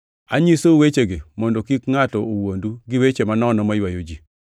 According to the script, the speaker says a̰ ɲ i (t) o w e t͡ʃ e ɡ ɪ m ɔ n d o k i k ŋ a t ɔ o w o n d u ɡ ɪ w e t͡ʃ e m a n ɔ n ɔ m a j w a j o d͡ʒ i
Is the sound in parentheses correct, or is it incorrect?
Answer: incorrect: s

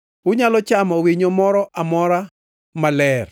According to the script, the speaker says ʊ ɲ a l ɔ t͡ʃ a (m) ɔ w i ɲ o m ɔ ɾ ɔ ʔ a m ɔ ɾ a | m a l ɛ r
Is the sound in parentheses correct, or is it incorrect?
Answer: correct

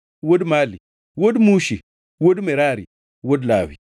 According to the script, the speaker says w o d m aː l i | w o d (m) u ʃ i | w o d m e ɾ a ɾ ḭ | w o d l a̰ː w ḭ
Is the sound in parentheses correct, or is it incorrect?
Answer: correct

